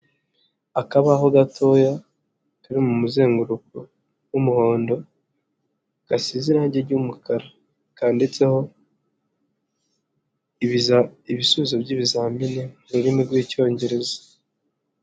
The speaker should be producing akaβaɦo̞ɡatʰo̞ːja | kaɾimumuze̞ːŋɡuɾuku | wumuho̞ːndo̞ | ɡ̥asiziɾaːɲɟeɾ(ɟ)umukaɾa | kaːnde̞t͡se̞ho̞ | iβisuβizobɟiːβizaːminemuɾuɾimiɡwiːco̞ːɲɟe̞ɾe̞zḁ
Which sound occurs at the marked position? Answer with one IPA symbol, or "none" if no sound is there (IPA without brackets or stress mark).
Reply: ɟ